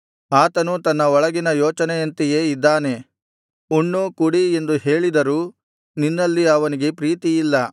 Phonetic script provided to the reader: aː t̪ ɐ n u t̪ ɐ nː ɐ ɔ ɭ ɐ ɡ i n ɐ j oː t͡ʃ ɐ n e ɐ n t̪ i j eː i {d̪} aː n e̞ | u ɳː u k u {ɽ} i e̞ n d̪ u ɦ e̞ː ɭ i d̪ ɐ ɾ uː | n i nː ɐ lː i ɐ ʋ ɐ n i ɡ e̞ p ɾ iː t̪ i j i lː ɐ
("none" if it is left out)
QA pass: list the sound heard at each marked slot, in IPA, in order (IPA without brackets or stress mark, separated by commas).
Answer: d̪ː, ɽ